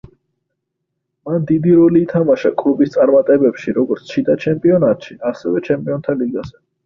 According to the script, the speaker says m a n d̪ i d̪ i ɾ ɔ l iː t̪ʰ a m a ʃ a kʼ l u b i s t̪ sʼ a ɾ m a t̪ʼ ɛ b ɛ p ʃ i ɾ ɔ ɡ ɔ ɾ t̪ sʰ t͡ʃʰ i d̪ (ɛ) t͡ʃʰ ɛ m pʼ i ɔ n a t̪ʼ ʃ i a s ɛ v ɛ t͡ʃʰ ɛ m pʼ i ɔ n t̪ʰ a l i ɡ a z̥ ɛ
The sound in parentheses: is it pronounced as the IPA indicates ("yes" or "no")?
no